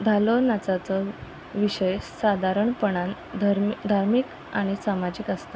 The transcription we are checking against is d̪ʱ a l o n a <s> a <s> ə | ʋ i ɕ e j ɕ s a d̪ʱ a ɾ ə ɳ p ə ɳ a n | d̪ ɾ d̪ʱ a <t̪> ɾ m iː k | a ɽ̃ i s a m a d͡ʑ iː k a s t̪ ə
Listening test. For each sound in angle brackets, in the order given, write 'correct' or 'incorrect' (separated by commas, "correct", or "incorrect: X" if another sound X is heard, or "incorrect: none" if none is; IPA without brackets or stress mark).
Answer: incorrect: t͡s, incorrect: t͡s, incorrect: none